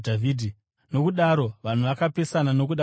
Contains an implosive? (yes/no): yes